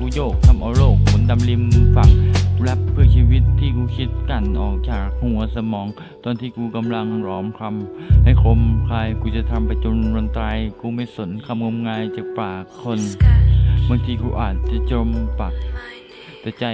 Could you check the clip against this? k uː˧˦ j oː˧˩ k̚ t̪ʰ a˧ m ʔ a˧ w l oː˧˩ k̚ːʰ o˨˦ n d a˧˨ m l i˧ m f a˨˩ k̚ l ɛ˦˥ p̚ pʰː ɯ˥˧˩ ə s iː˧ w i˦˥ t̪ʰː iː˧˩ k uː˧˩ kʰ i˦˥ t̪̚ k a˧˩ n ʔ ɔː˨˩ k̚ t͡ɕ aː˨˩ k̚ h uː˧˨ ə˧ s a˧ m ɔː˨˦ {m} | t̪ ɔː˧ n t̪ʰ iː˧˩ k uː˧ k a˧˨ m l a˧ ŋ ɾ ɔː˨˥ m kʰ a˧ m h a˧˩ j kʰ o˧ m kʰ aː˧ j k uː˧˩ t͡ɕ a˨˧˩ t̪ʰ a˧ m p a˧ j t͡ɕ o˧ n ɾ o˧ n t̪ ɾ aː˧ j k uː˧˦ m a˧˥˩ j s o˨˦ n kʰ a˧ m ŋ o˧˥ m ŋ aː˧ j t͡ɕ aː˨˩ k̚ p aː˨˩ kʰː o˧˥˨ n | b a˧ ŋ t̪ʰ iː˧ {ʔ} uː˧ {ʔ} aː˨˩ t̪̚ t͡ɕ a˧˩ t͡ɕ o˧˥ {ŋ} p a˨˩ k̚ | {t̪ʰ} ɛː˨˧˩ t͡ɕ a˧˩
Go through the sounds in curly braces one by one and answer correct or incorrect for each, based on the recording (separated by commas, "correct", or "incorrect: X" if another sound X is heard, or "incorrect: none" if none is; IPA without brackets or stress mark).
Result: incorrect: ŋ, incorrect: k, correct, incorrect: m, incorrect: t̪